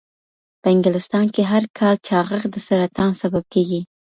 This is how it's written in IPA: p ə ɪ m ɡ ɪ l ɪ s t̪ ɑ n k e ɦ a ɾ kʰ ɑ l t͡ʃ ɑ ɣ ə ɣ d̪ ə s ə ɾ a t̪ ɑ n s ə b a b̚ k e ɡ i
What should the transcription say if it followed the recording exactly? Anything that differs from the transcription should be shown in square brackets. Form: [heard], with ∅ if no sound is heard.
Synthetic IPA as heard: p ə ɪ [ŋ] ɡ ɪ l ɪ s t̪ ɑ n k e ɦ a ɾ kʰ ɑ l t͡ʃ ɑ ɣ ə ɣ d̪ ə s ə ɾ a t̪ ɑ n s [a] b a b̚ k e ɡ i

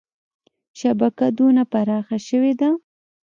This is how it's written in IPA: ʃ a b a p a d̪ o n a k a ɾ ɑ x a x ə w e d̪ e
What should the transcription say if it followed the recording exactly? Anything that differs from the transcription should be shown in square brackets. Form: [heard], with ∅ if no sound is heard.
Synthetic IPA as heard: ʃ a b a [k] a d̪ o n a [p] a ɾ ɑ x a [ʃ] ə w e d̪ [a]

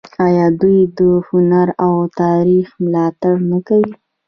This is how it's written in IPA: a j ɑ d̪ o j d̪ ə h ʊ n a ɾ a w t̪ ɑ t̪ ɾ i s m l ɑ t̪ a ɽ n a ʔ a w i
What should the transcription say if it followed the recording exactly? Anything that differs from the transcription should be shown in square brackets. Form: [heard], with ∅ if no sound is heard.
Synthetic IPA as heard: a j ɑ d̪ [u] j d̪ ə h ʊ n a ɾ a w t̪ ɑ [∅] ɾ i [x] m l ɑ t̪ a ɽ n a [k] a w i

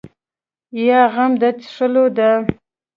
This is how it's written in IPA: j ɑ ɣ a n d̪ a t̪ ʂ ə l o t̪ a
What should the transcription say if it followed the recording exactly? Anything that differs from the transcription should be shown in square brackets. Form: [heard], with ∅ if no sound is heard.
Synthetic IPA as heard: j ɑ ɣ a [m] d̪ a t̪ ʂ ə l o [d̪] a

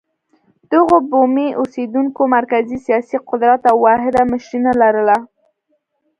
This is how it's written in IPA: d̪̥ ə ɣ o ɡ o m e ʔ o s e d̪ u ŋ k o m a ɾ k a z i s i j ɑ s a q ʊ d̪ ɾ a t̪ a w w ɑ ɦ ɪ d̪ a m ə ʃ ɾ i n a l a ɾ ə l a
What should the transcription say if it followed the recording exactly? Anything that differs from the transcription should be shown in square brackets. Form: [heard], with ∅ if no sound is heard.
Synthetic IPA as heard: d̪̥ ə ɣ o [b] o m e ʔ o s e d̪ u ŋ k o m a ɾ k a z i s i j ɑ s [i] q ʊ d̪ ɾ a t̪ a w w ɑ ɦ ɪ d̪ a m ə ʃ ɾ i n a l a ɾ ə l a

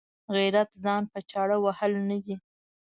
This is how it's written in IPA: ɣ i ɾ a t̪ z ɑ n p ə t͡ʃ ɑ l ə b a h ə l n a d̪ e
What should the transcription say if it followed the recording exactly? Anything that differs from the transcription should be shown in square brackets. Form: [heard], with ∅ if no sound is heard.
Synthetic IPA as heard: ɣ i ɾ a t̪ z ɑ n p ə t͡ʃ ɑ [ɽ] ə [w] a h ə l n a d̪ [i]

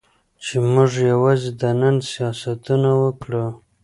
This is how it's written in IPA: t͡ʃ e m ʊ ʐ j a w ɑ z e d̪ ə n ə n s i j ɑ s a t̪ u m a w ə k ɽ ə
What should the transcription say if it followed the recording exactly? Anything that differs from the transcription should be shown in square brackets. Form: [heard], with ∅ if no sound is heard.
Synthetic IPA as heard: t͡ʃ e m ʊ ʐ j a w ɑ z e d̪ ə n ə n s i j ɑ s a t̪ u [n] a w ə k ɽ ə

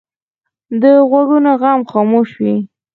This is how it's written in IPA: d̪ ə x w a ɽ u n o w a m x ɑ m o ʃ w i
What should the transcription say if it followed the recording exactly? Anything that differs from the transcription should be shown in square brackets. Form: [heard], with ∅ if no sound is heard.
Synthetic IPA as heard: d̪ ə [ɣ] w a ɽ u n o [ɣ] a m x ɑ m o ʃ w i

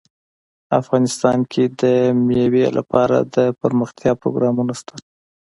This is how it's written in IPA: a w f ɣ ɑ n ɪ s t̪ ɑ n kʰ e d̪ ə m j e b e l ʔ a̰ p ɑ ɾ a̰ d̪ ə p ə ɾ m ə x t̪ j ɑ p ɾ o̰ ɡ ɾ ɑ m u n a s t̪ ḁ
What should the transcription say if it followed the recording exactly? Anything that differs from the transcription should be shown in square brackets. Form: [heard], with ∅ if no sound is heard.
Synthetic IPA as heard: a [∅] f ɣ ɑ n ɪ s t̪ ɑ n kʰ e d̪ ə m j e [w] e l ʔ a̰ p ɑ ɾ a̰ d̪ ə p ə ɾ m ə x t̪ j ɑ p ɾ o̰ ɡ ɾ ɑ m u n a s t̪ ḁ

